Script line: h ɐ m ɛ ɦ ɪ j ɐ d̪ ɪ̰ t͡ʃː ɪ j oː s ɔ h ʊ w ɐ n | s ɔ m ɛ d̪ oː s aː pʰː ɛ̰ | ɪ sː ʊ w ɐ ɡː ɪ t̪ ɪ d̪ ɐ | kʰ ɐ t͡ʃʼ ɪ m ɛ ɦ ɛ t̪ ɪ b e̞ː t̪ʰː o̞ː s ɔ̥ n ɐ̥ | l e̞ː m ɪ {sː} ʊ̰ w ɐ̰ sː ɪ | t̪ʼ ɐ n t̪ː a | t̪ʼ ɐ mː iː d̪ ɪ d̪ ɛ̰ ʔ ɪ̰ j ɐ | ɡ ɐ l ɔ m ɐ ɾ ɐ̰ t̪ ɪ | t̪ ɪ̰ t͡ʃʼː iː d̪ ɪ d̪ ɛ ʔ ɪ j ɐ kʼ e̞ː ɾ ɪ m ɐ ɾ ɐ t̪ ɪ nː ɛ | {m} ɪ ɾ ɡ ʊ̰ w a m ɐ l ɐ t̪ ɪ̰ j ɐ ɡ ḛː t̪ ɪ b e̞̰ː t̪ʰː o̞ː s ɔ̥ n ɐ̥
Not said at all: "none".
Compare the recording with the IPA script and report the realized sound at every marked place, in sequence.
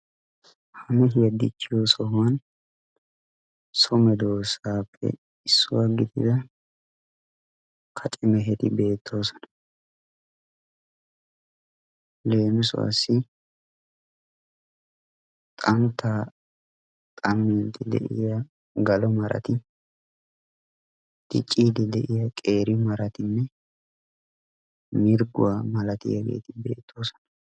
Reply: s, m

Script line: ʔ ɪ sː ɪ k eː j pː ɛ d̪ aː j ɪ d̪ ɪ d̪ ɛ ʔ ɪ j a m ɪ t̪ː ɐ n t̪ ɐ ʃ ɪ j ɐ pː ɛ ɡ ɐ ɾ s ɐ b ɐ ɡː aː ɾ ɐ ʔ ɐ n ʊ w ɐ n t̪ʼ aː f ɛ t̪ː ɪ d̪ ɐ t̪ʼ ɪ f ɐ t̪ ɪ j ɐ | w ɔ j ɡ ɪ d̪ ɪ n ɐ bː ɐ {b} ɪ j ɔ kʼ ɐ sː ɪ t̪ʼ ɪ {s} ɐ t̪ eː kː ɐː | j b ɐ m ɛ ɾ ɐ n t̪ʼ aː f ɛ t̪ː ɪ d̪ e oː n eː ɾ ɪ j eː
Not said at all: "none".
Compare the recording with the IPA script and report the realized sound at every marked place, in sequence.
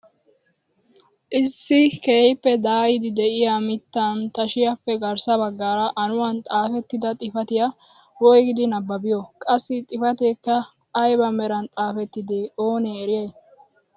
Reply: b, f

